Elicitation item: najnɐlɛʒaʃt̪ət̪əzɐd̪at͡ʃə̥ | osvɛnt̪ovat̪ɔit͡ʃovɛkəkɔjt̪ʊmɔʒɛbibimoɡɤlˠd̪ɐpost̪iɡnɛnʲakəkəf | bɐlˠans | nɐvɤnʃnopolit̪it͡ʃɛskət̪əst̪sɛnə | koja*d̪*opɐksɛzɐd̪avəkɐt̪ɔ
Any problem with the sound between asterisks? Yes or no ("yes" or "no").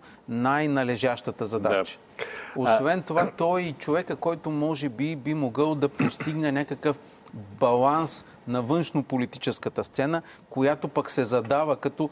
yes